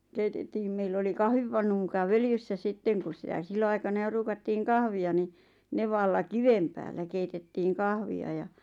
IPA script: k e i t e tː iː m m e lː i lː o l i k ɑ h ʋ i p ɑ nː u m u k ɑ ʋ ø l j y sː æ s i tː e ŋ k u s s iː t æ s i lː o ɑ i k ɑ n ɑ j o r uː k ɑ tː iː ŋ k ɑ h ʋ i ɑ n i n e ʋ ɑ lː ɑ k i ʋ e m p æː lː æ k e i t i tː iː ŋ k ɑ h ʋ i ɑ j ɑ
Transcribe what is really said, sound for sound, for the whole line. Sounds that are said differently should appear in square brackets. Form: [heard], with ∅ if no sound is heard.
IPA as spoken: k e i t e tː iː m m e [∅] i lː o l i k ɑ h ʋ i p ɑ nː u m u k ɑ ʋ ø l j y sː æ s i tː e ŋ k u s s [i] t æ s i lː o ɑ i k ɑ n ɑ j o r uː k ɑ tː iː ŋ k ɑ h ʋ i ɑ n i n e ʋ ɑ lː ɑ k i ʋ e m p æː lː æ k e i t [e] tː iː ŋ k ɑ h ʋ i ɑ j ɑ